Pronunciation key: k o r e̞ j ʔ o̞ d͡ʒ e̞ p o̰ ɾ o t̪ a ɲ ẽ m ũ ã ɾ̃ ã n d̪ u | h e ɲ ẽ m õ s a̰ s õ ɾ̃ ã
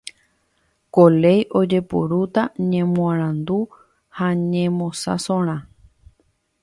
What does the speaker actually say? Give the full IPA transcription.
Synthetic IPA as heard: k o l e̞ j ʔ o̞ d͡ʒ e̞ p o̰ ɾ u t̪ a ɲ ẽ m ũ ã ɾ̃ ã n d̪ u | h a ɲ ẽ m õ s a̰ s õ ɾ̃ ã